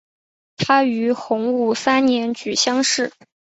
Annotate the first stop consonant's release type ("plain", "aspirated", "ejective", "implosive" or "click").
aspirated